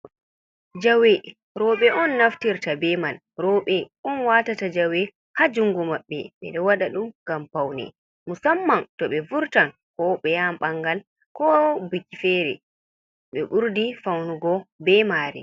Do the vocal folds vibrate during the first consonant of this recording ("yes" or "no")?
yes